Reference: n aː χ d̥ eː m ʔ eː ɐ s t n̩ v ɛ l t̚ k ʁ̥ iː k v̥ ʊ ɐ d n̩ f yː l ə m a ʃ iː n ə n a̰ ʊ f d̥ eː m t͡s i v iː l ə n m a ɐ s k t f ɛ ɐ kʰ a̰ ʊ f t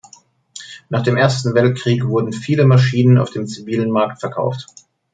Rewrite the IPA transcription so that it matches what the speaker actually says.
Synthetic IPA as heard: n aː χ d̥ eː m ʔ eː ɐ s t n̩ v ɛ l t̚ k ʁ̥ iː k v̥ ʊ ɐ d n̩ f iː l ə m a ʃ iː n ə n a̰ ʊ f d̥ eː m t͡s i v iː l ə n m a ɐ k t f ɛ ɐ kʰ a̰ ʊ f t